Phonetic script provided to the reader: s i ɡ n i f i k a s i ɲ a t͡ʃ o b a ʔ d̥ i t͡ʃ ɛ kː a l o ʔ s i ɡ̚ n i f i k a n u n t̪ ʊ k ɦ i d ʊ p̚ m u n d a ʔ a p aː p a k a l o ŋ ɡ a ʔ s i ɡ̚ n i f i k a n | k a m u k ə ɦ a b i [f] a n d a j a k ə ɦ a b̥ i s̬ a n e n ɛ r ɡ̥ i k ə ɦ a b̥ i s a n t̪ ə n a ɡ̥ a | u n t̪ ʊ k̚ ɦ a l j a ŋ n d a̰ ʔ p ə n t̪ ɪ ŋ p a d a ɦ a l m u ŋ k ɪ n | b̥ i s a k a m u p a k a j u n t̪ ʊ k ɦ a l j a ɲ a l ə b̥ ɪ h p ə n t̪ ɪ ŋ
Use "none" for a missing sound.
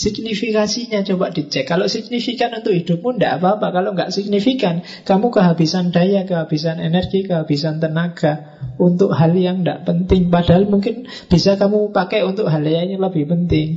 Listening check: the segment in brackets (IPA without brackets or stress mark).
s